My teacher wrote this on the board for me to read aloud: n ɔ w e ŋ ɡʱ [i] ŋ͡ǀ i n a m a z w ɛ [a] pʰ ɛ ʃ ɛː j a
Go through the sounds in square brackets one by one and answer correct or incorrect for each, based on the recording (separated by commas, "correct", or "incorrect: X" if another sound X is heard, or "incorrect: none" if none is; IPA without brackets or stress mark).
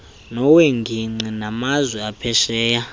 correct, correct